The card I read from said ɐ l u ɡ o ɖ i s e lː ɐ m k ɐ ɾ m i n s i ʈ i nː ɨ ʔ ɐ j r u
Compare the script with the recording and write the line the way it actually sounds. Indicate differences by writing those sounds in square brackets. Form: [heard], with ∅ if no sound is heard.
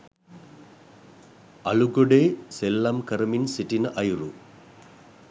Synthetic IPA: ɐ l u ɡ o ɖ [e] s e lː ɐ m k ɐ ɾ m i n s i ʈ i [n] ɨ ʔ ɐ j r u